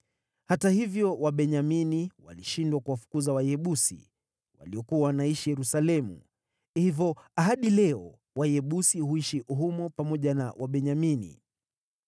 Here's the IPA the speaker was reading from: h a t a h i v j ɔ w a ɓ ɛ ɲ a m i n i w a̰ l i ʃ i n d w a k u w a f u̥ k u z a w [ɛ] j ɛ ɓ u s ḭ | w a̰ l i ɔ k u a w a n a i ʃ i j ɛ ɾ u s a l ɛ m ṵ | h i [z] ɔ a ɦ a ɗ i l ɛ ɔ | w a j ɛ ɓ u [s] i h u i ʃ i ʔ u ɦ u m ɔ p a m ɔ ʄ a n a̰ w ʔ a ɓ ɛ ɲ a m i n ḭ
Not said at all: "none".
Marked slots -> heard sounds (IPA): a, v, s

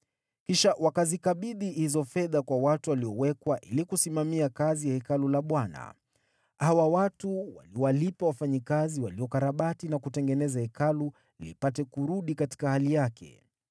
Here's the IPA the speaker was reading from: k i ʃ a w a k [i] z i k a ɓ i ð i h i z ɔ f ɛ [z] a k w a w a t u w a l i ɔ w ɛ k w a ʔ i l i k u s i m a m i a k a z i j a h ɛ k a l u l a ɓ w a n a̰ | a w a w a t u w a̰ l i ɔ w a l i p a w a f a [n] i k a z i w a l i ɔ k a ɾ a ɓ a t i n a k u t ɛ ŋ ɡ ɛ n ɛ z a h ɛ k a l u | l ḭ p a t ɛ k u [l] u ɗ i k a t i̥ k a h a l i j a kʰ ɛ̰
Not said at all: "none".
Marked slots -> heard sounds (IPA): a, ð, ɲ, ɾ

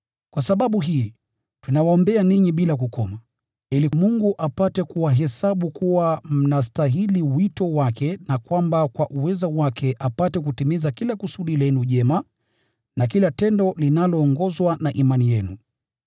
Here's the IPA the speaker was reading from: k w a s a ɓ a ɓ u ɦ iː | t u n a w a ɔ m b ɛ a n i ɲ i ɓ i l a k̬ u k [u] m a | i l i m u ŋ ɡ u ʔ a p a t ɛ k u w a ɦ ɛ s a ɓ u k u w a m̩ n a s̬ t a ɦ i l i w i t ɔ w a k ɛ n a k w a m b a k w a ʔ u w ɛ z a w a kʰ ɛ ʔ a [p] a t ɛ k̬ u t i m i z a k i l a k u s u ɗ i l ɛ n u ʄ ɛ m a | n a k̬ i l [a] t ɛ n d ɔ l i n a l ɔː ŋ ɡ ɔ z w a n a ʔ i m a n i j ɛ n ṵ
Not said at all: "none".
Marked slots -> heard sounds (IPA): ɔ, p, a

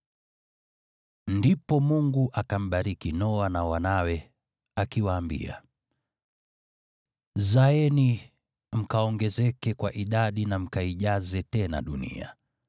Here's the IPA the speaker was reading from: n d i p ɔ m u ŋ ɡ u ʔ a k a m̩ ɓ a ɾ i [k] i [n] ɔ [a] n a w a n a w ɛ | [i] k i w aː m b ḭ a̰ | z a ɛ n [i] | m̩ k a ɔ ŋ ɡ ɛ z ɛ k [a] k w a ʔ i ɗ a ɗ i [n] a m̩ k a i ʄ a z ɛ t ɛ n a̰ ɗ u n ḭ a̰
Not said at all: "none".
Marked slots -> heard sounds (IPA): k, n, a, a, i, ɛ, n

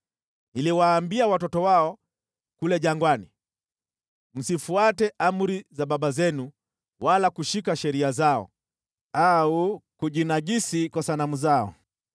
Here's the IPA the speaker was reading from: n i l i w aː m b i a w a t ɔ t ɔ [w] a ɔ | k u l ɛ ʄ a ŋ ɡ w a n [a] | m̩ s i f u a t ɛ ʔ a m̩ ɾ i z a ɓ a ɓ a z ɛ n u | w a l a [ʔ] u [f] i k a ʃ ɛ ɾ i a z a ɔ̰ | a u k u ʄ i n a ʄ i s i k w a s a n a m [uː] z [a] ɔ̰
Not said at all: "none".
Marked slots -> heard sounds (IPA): w, i, k, ʃ, u, a

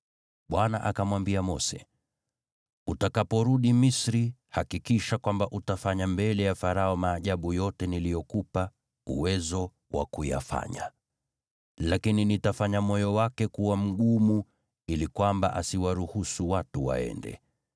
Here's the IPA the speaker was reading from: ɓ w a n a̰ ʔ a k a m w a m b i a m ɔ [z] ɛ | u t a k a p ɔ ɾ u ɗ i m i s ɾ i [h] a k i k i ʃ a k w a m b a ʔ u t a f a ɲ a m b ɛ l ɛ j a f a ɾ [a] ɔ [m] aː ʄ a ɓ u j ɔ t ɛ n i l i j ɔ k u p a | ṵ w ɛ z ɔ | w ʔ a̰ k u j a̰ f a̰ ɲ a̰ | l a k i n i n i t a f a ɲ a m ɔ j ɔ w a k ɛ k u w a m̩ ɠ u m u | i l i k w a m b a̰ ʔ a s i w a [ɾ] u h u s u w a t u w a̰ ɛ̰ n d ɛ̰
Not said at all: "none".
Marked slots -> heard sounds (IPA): s, h, a, m, ɾ

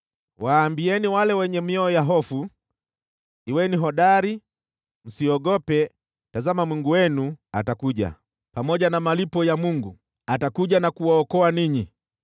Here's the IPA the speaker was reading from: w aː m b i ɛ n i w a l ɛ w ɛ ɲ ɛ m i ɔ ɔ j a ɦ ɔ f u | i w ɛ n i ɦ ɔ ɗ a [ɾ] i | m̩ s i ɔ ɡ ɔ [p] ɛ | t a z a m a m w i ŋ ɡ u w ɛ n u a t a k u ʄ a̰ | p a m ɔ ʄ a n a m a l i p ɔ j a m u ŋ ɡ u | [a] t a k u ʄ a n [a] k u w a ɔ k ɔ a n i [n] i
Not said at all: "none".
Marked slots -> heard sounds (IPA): ɾ, p, a, a, ɲ

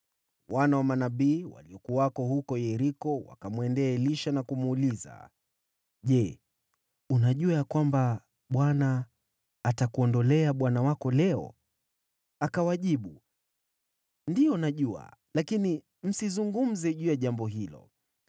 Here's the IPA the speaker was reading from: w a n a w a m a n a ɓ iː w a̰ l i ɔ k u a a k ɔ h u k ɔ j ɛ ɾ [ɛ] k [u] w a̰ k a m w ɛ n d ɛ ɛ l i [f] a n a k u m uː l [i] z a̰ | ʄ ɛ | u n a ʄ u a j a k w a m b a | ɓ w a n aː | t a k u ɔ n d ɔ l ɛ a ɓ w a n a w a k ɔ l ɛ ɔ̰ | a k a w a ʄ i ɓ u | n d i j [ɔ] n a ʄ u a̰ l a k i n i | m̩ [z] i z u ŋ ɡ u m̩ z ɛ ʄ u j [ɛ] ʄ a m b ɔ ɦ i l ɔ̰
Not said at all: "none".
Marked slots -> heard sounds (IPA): i, ɔ, ʃ, i, ɔ, s, a

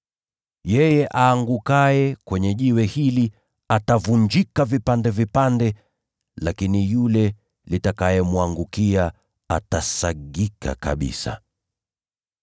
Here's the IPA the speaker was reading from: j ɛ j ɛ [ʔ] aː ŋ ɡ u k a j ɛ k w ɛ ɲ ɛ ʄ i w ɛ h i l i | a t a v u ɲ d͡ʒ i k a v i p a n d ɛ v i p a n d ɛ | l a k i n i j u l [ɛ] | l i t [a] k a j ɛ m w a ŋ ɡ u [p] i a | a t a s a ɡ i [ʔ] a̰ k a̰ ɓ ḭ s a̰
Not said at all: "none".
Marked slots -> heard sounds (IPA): ʔ, ɛ, a, k, k

